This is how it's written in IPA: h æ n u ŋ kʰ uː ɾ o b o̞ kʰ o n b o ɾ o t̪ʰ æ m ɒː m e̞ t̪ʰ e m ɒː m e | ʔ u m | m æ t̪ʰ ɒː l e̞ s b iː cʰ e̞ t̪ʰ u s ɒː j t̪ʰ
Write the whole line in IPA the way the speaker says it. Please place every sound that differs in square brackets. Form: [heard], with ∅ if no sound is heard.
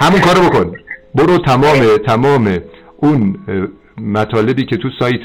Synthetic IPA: h æ [m] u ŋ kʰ [ɒː] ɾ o b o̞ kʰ o n b o ɾ o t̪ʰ æ m ɒː m e̞ t̪ʰ [æ] m ɒː m e | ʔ u [n] | m æ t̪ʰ ɒː l e̞ [∅] b iː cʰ e̞ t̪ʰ u s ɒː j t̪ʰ